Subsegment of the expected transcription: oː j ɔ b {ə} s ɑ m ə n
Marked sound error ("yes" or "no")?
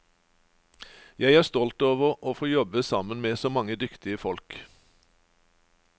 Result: no